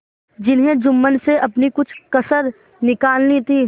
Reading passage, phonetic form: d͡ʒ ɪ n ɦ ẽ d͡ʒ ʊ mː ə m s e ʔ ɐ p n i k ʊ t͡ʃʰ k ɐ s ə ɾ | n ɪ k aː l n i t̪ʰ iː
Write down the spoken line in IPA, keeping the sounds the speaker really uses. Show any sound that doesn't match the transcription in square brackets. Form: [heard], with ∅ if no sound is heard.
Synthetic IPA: d͡ʒ ɪ n ɦ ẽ d͡ʒ ʊ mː ə [n] s e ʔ ɐ p n i k ʊ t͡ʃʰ k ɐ s ə ɾ | n ɪ k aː l n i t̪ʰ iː